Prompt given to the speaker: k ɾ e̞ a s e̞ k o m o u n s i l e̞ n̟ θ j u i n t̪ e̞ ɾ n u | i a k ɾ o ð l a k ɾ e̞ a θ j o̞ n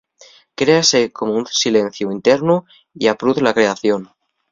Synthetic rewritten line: k ɾ e̞ a s e̞ k o m o u n s i l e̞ n̟ θ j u i n t̪ e̞ ɾ n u | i a p ɾ u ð l a k ɾ e̞ a θ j o̞ n